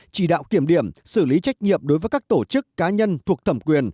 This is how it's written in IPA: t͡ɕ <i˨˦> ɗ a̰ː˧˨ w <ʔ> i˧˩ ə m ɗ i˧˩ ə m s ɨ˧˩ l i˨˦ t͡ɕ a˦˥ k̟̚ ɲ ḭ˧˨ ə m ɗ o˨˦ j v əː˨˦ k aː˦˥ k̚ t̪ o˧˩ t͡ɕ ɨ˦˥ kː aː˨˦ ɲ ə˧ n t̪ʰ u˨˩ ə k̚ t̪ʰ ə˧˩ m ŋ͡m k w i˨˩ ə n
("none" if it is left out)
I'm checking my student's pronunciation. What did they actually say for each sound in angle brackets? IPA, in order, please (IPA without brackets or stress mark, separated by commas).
i˧˩, k